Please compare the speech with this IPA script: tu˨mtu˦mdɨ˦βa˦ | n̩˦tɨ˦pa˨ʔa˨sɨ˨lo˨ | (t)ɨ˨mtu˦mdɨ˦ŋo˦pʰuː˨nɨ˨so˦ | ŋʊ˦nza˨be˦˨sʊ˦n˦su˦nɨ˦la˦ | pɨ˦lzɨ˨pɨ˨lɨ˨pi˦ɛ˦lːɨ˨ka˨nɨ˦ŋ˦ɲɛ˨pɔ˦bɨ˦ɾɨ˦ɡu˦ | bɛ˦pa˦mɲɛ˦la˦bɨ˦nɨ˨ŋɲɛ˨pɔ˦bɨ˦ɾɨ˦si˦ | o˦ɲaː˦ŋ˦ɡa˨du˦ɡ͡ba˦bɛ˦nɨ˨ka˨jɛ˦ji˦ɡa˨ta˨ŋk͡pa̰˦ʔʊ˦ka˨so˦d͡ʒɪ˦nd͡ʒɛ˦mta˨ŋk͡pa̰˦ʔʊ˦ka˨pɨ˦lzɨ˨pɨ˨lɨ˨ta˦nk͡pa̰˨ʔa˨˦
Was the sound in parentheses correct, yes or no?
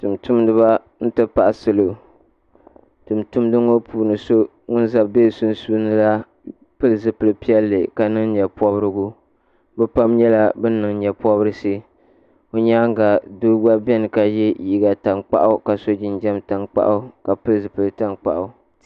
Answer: yes